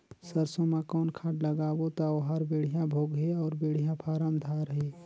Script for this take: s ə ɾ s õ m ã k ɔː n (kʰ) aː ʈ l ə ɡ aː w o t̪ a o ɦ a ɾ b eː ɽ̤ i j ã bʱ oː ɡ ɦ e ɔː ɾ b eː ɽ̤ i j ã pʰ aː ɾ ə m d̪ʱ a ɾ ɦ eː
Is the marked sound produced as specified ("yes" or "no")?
yes